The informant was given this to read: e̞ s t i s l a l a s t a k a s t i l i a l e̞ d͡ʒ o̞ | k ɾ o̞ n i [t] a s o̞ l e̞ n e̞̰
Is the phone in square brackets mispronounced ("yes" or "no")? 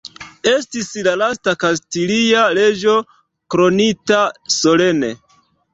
no